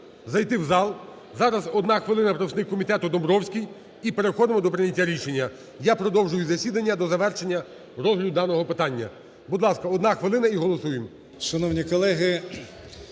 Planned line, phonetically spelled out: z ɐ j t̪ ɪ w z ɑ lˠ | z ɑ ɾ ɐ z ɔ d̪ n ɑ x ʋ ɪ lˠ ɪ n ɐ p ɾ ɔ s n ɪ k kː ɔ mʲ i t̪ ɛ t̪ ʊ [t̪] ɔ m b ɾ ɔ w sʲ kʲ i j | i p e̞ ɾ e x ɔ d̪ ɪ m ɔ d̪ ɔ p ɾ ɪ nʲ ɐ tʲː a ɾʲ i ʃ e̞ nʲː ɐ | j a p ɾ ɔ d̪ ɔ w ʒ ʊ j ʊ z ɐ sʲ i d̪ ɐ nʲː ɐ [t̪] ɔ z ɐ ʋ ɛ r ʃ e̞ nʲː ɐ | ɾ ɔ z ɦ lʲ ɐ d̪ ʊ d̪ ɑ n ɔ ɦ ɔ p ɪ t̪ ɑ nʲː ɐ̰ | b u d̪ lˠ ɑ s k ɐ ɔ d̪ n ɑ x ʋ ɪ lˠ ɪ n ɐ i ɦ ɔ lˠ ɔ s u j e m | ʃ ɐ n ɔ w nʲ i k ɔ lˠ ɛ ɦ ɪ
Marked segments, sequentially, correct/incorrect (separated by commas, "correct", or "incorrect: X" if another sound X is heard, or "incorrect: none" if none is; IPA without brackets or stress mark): incorrect: d̪, incorrect: d̪